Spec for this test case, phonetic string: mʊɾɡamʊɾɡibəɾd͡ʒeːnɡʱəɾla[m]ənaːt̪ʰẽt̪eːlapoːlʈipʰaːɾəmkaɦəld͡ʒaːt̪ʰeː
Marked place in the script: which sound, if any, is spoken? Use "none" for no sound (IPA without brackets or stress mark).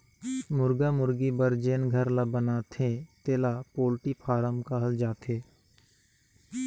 b